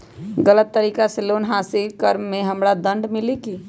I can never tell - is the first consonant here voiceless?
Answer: no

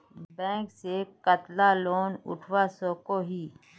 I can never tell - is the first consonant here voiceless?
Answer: no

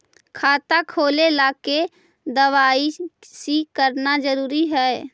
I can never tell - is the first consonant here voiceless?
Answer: yes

